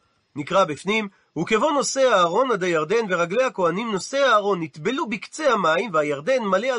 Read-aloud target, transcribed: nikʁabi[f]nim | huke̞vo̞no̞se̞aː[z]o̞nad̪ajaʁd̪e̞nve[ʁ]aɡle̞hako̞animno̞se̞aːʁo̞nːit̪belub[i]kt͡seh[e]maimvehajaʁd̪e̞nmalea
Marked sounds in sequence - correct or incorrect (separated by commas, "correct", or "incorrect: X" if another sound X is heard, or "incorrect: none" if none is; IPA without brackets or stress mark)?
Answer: correct, incorrect: ʁ, correct, correct, incorrect: a